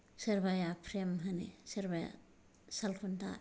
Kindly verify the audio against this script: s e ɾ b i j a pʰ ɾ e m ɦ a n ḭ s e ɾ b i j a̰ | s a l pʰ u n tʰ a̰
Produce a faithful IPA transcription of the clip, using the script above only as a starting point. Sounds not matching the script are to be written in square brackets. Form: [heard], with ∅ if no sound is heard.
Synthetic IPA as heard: s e ɾ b [a] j a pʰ ɾ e m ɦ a n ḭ s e ɾ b [a] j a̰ | s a l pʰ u n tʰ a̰